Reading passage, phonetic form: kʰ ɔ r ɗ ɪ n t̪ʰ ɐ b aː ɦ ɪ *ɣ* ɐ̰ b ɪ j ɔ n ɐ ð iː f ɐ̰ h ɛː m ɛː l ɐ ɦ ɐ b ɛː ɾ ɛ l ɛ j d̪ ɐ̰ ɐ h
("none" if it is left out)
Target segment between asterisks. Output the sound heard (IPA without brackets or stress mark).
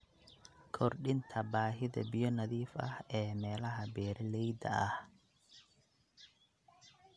ð